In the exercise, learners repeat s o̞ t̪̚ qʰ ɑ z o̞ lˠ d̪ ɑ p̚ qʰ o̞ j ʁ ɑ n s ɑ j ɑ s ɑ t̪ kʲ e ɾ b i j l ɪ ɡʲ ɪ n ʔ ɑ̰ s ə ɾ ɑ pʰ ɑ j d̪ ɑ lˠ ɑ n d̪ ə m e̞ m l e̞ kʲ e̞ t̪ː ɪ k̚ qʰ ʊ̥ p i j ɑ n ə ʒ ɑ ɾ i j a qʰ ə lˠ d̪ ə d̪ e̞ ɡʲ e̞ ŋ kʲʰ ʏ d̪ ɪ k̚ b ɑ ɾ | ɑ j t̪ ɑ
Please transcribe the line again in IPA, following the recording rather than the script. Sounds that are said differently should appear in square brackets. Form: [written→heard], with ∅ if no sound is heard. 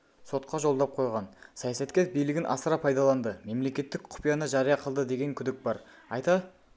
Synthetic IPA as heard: s o̞ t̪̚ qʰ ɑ [z→ʒ] o̞ lˠ d̪ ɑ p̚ qʰ o̞ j ʁ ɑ n s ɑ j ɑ s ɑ t̪ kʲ e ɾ b i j l ɪ ɡʲ ɪ n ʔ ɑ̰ s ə ɾ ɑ pʰ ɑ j d̪ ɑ lˠ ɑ n d̪ ə m e̞ m l e̞ kʲ e̞ t̪ː ɪ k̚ qʰ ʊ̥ p i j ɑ n ə ʒ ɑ ɾ i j [a→ɑ] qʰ ə lˠ d̪ ə d̪ e̞ ɡʲ e̞ ŋ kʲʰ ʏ d̪ ɪ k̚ b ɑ ɾ | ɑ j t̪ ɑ